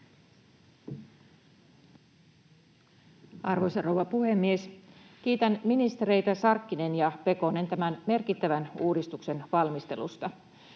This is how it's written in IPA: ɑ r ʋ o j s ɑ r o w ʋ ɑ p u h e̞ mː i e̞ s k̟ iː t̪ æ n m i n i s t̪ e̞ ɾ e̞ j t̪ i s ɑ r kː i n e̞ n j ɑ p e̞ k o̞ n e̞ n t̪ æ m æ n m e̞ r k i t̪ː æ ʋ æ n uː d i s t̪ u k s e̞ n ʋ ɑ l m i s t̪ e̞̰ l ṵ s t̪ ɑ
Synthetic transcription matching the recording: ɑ r ʋ o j s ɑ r o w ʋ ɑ p u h e̞ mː i e̞ s k̟ iː t̪ æ n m i n i s t̪ e̞ ɾ e̞ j t̪ æ s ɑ r kː i n e̞ n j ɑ p e̞ k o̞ n e̞ n t̪ æ m æ n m e̞ r k i t̪ː æ ʋ æ n uː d i s t̪ u k s e̞ n ʋ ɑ l m i s t̪ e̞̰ l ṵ s t̪ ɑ

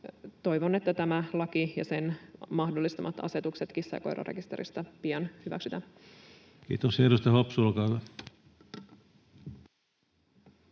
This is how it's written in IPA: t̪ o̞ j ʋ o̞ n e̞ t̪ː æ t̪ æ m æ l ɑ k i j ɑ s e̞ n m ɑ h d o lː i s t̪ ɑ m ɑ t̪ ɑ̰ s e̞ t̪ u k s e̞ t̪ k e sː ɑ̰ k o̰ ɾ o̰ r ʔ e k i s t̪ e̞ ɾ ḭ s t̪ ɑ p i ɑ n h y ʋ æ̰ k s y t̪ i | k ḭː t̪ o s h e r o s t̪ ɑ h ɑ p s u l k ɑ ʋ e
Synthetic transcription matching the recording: t̪ o̞ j ʋ o̞ n e̞ t̪ː æ t̪ æ m æ l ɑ k i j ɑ s e̞ n m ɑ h d o lː i s t̪ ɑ m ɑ t̪ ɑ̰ s e̞ t̪ u k s e̞ t̪ k i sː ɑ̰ k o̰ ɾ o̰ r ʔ e k i s t̪ e̞ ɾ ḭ s t̪ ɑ p i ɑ n h y ʋ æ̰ k s y t̪ æ | k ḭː t̪ o s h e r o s t̪ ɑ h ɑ p s u l k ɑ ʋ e

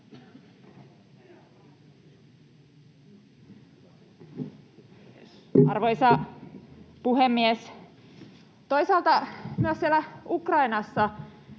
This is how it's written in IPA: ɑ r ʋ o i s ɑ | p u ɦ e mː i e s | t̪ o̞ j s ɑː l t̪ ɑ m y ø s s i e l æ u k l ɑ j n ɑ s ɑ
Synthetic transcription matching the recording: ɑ r ʋ o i s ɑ | p u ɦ e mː i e s | t̪ o̞ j s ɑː l t̪ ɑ m y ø s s i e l æ u k r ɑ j n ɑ sː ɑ

